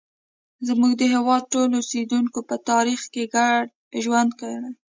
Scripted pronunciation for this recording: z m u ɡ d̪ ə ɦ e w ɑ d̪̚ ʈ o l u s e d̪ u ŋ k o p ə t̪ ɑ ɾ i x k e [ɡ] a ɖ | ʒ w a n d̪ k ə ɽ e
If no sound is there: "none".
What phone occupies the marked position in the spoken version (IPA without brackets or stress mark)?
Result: ɡ